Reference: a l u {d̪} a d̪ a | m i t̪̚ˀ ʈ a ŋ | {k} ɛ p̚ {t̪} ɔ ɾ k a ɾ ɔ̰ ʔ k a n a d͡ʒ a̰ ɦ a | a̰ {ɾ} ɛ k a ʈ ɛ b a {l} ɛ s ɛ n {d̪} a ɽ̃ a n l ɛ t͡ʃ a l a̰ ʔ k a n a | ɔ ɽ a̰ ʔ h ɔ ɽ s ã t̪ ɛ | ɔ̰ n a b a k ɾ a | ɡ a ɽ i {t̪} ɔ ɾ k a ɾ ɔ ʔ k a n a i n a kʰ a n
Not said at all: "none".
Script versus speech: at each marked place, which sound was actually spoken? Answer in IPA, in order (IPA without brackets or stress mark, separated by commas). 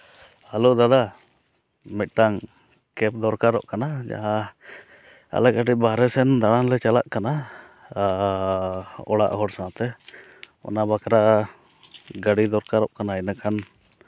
d̪, k, d̪, l, ɾ, d̪, d̪